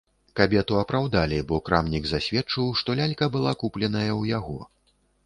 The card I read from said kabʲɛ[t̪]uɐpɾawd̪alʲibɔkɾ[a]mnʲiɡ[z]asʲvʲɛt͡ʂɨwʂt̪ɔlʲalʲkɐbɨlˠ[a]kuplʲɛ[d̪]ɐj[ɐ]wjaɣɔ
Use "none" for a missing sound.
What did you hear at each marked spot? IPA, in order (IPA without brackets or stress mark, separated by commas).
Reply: t̪, a, z, a, n̪, ɐ